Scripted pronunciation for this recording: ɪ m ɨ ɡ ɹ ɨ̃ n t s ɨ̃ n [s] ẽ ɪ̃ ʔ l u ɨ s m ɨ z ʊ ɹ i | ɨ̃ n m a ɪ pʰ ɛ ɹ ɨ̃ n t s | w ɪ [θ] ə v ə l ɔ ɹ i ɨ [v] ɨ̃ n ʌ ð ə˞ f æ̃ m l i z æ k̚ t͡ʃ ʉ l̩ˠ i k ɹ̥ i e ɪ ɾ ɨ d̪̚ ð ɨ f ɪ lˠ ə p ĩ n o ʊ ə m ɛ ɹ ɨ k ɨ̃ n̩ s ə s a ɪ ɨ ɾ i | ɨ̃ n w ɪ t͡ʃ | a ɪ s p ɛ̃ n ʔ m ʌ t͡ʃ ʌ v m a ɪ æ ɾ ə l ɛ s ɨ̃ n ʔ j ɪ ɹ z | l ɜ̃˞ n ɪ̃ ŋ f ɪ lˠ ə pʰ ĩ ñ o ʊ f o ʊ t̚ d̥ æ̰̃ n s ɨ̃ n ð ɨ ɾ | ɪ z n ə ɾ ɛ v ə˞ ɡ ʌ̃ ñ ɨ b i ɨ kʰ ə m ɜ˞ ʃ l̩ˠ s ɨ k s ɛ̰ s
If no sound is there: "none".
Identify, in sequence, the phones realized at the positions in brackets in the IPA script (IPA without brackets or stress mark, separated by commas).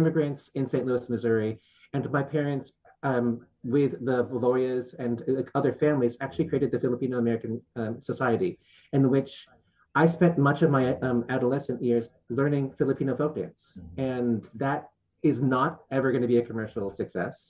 s, ð, z